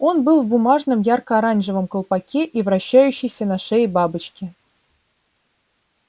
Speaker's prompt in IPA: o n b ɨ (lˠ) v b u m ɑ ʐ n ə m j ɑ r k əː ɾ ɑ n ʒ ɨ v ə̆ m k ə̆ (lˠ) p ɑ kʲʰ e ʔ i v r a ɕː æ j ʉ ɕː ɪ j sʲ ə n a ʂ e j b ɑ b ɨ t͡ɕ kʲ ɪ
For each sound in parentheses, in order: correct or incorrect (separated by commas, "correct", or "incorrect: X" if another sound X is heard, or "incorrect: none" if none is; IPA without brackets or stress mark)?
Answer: correct, correct